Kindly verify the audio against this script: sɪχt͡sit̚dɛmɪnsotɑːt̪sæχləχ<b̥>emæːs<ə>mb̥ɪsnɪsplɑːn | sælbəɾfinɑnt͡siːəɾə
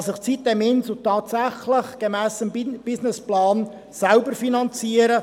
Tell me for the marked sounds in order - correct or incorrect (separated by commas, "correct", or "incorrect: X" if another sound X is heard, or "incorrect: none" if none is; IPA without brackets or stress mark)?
incorrect: ɡ̥, correct